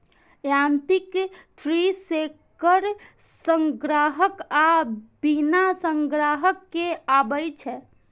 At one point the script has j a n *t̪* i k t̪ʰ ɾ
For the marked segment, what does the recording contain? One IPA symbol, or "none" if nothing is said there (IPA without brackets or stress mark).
t̪